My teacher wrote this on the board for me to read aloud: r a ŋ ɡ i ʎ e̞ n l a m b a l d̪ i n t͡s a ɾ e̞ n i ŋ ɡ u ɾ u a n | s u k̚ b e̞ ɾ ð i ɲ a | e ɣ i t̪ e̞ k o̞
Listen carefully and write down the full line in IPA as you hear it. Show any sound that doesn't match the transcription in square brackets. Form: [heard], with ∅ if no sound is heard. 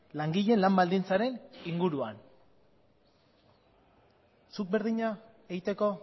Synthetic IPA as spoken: [l] a ŋ ɡ i ʎ e̞ n l a m b a l d̪ i n t͡s a ɾ e̞ n i ŋ ɡ u ɾ u a n | s u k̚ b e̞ ɾ ð i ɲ a | e ɣ i t̪ e̞ k o̞